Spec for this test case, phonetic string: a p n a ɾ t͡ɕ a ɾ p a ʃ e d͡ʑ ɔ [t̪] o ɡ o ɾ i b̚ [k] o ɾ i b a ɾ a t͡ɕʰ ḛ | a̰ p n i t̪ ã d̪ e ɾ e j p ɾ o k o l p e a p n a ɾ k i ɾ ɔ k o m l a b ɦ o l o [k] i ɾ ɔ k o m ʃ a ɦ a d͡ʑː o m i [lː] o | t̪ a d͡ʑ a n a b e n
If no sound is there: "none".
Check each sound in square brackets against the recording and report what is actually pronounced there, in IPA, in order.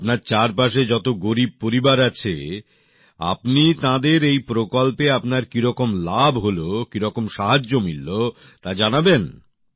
t̪, p, k, lː

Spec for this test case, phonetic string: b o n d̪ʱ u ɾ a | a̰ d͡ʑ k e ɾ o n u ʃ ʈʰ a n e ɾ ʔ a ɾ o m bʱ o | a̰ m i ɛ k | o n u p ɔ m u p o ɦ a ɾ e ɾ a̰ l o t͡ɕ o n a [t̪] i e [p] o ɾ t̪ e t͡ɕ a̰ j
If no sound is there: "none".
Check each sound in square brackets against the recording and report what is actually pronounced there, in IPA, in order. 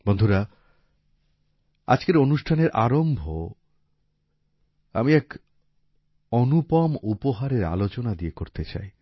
d̪, k

